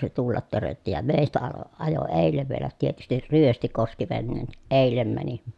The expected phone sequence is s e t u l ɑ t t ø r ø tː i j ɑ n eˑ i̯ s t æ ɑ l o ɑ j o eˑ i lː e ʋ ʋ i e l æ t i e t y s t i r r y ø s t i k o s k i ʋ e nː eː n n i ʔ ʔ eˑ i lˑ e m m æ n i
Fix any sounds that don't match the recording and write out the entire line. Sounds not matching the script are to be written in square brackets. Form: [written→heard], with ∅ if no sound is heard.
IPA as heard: s e t u [l→lː] ɑ t t ø r ø tː i j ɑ [n→m] eˑ i̯ s t æ ɑ l o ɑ j o eˑ i lː e ʋ ʋ i e l æ t i e t y s t i r r y ø s t i k o s k i ʋ e nː eː n n i ʔ ʔ eˑ i lˑ e m m æ n i